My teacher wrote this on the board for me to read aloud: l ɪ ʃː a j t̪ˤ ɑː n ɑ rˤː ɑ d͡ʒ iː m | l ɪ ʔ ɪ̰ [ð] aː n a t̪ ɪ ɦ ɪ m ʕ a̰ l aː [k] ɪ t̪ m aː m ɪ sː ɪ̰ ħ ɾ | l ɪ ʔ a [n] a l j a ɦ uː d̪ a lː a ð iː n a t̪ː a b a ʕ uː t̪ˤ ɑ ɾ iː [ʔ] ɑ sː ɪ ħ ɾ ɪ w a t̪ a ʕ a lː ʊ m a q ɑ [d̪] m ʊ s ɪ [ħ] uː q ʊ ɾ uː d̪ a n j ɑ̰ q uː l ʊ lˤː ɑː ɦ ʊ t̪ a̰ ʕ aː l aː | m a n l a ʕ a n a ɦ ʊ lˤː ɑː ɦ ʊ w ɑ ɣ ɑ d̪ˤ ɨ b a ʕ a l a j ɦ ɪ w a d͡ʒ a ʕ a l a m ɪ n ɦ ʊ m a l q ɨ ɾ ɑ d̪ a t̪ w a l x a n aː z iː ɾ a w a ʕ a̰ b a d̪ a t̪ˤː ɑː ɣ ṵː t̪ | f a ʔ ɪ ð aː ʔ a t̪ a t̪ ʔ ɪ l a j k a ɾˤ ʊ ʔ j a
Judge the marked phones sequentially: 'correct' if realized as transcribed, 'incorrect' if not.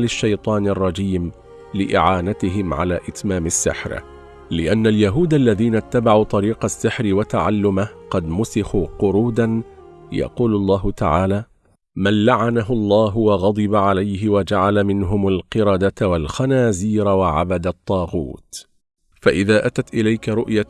incorrect, incorrect, incorrect, incorrect, correct, incorrect

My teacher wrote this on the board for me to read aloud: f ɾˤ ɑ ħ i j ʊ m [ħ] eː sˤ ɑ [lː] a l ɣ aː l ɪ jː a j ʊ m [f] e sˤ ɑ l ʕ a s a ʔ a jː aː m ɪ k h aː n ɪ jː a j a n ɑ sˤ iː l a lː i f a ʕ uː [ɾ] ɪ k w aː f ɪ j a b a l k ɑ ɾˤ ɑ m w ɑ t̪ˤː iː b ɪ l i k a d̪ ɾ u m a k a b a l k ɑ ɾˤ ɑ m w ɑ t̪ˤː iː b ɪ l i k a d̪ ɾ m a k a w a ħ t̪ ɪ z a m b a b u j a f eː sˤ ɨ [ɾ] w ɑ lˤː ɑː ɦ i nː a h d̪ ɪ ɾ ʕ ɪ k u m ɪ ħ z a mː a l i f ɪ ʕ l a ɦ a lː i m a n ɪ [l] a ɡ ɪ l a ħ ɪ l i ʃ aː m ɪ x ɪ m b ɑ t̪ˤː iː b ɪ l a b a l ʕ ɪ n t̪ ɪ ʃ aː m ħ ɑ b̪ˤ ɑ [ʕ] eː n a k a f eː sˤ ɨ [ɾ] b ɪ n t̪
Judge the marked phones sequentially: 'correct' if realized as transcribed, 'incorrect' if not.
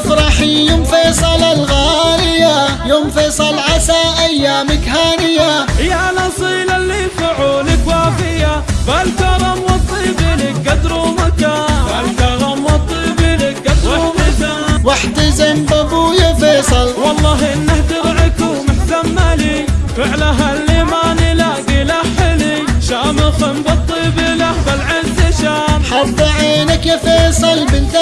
incorrect, incorrect, correct, incorrect, incorrect, correct, correct, incorrect

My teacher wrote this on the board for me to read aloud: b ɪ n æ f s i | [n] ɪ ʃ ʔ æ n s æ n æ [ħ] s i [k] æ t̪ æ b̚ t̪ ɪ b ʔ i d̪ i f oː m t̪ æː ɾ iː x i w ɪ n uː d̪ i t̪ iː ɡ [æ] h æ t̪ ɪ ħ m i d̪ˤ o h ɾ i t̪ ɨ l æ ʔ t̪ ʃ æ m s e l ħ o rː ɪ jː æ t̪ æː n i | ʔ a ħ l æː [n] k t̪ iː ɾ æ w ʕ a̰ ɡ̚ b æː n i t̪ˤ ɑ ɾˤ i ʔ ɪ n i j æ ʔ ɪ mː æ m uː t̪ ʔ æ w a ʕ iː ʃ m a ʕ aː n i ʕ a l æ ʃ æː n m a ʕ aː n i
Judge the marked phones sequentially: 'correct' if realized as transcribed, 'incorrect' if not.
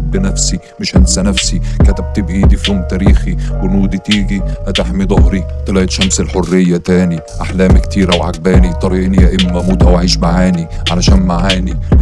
incorrect, incorrect, correct, incorrect, incorrect

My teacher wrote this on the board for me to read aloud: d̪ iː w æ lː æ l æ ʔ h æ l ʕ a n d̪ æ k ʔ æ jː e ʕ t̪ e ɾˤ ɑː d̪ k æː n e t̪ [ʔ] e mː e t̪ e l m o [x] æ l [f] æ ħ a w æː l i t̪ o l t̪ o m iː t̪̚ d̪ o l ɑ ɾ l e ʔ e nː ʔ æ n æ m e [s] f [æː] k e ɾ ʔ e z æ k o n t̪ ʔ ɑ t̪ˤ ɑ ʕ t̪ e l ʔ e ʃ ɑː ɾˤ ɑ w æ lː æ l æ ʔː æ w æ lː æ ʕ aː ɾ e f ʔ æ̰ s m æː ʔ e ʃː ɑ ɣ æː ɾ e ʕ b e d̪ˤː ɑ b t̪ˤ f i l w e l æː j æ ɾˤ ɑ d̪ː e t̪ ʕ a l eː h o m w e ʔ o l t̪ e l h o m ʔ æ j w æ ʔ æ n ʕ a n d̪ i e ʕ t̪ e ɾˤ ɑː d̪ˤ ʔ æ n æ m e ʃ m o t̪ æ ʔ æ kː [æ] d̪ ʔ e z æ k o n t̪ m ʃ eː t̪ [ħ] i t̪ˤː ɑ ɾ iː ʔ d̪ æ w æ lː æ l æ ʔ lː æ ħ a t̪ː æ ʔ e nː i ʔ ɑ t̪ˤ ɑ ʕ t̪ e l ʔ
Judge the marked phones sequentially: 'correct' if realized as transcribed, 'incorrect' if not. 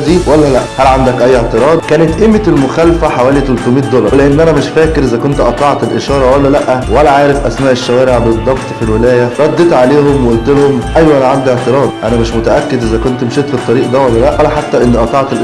correct, correct, correct, incorrect, correct, incorrect, incorrect

